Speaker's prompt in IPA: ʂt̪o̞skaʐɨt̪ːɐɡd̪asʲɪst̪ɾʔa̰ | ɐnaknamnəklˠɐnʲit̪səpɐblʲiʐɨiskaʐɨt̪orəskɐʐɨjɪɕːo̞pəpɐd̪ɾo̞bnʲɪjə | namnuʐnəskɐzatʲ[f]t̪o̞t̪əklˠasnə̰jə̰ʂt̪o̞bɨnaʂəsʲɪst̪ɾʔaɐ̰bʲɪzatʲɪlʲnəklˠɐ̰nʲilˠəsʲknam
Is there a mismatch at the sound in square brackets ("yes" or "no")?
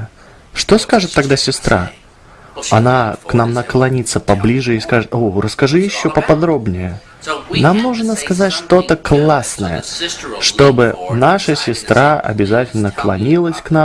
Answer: yes